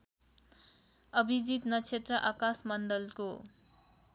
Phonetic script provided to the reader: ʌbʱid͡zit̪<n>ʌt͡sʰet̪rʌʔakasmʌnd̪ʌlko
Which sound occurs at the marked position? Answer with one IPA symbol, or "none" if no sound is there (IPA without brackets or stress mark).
n